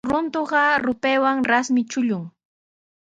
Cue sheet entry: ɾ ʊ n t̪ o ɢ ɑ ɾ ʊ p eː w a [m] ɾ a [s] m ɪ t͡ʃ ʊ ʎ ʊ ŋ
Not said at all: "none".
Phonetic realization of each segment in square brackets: ŋ, s

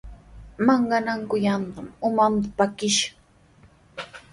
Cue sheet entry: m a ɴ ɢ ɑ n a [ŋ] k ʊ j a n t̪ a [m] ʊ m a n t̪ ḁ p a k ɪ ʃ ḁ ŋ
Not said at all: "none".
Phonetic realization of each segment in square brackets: ŋ, m

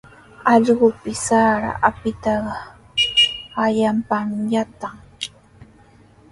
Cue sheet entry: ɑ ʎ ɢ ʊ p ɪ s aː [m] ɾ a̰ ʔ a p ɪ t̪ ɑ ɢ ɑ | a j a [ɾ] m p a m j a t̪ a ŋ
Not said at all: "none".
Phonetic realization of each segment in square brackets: none, none

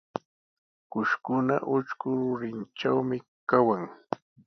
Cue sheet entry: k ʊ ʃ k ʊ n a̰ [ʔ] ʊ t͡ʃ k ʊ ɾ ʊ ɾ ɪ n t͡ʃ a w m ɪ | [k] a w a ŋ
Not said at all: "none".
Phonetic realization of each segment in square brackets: ʔ, k

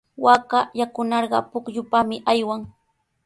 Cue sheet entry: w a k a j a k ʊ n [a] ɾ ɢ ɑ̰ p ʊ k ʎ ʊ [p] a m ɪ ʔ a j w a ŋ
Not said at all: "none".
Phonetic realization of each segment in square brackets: ɑ, p

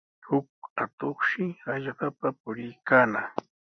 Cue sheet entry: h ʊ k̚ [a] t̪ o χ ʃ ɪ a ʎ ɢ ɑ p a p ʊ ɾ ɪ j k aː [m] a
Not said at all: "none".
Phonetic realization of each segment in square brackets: a, n

